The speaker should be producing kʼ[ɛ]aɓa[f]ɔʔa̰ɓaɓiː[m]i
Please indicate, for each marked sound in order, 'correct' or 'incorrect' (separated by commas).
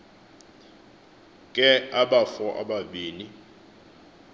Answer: correct, correct, incorrect